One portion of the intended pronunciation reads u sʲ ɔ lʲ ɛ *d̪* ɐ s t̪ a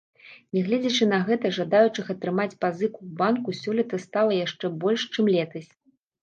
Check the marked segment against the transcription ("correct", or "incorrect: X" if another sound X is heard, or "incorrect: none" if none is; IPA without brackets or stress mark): incorrect: t̪